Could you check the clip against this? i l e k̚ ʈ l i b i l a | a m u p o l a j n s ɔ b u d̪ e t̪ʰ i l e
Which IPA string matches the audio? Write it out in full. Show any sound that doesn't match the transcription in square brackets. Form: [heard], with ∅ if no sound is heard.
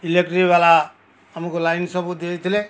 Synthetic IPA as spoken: i l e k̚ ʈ [ɾ] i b [a] l a | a m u [k] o l a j n s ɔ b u d̪ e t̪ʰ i l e

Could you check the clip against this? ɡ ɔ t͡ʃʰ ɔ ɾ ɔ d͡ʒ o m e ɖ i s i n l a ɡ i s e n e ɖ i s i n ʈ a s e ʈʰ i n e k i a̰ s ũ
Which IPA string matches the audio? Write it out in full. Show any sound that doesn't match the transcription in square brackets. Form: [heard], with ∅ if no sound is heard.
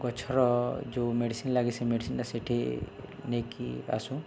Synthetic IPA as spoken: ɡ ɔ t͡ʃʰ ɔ ɾ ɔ d͡ʒ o m e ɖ i s i n l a ɡ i s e [m] e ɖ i s i n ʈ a s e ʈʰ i n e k i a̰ s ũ

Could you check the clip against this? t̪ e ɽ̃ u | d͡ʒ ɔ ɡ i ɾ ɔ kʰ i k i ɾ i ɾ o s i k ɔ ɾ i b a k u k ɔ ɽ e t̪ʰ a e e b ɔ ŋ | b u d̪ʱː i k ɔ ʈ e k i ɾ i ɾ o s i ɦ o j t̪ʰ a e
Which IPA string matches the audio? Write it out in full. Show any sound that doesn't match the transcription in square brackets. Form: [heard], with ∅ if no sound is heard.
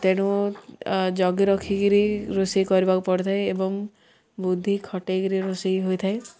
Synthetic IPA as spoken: t̪ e ɽ̃ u | d͡ʒ ɔ ɡ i ɾ ɔ kʰ i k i ɾ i ɾ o s i k ɔ ɾ i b a k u [p] ɔ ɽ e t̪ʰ a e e b ɔ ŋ | b u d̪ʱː i [kʰ] ɔ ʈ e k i ɾ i ɾ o s i ɦ o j t̪ʰ a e

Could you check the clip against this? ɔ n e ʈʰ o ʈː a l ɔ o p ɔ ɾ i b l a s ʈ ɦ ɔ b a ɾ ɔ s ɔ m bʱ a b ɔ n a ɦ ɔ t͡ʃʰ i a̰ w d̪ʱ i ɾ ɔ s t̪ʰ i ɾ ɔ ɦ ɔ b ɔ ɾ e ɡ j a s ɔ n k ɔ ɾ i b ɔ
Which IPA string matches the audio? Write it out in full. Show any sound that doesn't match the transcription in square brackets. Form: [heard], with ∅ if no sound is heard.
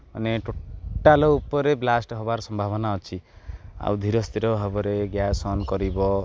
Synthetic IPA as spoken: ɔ n e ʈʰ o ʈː a l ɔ [u] p ɔ ɾ [e] b l a s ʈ ɦ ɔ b a ɾ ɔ s ɔ m bʱ a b ɔ n a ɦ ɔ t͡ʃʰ i a̰ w d̪ʱ i ɾ ɔ s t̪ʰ i ɾ ɔ ɦ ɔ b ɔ ɾ e ɡ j a s ɔ n k ɔ ɾ i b ɔ

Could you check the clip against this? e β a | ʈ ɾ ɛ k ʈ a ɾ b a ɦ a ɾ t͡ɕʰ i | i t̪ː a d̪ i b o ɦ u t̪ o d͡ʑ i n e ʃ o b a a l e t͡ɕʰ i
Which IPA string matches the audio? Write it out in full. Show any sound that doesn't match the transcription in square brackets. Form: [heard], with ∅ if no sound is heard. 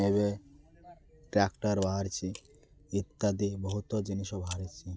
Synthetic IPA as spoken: e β [e] | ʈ ɾ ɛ k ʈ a ɾ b a ɦ a ɾ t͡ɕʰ i | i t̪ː a d̪ i b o ɦ u t̪ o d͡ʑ i n [i] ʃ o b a a [ɾ] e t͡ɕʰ i

